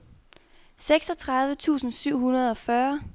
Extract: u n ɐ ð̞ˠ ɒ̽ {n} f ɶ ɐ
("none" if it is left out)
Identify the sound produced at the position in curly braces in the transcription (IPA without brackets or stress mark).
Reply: none